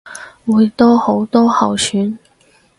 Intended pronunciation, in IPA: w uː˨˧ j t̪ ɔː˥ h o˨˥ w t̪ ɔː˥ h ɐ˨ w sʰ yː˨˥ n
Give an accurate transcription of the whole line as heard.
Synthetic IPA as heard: w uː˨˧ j t̪ ɔː˥ h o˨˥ w t̪ ɔː˥ h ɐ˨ w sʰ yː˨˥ n